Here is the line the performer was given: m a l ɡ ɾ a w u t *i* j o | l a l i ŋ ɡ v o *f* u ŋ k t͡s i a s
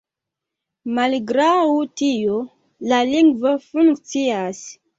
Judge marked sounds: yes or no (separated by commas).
yes, yes